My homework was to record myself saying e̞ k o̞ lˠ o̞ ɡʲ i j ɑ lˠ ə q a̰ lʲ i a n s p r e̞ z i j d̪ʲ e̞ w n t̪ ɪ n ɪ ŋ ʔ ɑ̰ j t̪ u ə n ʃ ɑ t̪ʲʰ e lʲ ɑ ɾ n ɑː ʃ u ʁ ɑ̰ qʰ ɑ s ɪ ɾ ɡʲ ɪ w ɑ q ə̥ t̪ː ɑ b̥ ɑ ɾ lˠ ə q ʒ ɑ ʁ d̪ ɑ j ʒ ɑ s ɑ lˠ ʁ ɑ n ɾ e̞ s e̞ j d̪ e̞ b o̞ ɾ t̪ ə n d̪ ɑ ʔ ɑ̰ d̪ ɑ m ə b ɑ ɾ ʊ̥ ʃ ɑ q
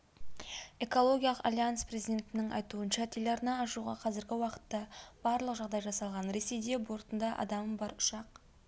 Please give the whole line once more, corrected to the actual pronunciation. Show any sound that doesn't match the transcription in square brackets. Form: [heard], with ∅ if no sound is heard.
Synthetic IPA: e̞ k o̞ lˠ o̞ ɡʲ i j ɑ lˠ ə q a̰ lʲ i a n s p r e̞ z i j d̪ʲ e̞ [∅] n t̪ ɪ n ɪ ŋ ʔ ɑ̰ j t̪ u ə n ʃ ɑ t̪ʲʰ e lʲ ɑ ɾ n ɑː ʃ u ʁ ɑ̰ qʰ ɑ [z] ɪ ɾ ɡʲ ɪ w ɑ q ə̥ t̪ː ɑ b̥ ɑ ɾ lˠ ə q ʒ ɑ ʁ d̪ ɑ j ʒ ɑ s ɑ lˠ ʁ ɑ n ɾ e̞ s e̞ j d̪ e̞ b o̞ ɾ t̪ ə n d̪ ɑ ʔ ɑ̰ d̪ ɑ m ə b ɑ ɾ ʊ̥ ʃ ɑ q